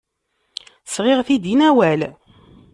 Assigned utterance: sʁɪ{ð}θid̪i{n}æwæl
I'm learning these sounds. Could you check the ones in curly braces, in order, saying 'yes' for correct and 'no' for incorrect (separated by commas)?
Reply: no, yes